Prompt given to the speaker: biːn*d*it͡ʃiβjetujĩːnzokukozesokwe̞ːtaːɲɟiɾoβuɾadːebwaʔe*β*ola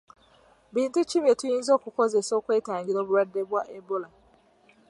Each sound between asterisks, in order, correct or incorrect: incorrect, incorrect

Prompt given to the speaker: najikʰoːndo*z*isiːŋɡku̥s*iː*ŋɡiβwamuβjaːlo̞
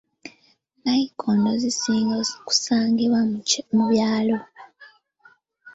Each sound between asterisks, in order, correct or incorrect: correct, incorrect

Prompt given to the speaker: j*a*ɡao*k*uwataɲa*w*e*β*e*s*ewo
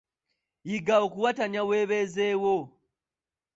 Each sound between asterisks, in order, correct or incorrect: incorrect, correct, correct, correct, incorrect

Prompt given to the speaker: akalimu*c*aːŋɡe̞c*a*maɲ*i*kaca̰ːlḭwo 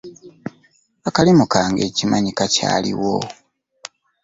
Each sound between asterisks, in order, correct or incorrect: incorrect, incorrect, correct

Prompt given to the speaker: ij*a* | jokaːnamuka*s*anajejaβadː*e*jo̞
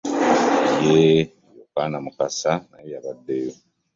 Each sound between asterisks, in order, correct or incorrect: incorrect, correct, correct

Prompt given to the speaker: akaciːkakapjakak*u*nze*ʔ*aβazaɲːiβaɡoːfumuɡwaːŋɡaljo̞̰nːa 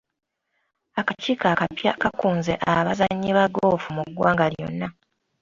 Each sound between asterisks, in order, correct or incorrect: incorrect, correct

